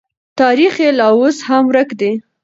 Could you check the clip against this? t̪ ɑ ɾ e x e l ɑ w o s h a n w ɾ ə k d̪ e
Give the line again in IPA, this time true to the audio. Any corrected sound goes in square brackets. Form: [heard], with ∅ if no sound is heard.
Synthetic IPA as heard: t̪ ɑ ɾ [i] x e l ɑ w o s h a [m] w ɾ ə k d̪ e